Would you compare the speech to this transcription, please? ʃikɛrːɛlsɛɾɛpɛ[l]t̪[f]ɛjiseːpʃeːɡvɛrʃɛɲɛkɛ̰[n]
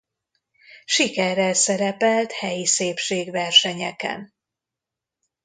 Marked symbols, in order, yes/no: yes, no, yes

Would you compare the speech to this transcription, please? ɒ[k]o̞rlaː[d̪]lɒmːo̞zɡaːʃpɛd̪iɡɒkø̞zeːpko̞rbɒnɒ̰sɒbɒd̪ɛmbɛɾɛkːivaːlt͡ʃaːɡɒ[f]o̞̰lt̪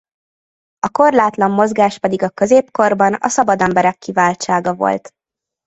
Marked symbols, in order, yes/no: yes, no, no

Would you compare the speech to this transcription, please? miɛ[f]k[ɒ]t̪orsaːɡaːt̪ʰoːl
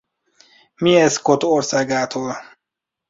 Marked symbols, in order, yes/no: no, no

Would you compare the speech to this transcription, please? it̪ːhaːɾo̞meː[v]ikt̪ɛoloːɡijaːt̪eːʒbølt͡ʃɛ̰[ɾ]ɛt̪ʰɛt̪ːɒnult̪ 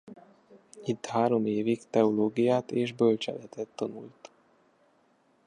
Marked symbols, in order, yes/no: yes, no

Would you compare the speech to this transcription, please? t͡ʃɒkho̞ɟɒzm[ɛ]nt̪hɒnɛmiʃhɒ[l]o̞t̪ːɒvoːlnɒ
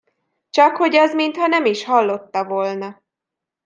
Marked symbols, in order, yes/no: no, no

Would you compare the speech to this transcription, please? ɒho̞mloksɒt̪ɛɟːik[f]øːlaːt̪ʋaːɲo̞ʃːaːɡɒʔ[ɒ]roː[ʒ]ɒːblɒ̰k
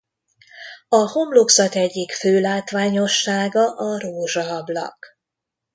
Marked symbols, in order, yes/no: yes, yes, yes

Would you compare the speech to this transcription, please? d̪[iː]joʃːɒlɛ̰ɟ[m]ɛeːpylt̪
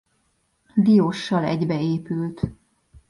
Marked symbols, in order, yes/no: no, no

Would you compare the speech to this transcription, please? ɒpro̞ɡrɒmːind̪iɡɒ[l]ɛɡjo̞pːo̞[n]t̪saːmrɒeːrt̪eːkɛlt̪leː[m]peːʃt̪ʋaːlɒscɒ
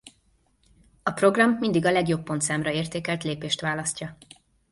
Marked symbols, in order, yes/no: yes, yes, no

